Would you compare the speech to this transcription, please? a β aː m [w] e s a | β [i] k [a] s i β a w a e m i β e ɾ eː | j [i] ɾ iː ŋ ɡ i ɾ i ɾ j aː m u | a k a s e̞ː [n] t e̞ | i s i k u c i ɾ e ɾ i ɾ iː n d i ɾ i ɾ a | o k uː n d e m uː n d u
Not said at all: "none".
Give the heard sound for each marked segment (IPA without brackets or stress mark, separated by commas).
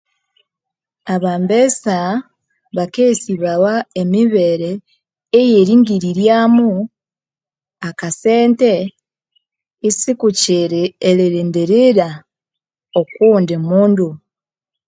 b, a, e, e, n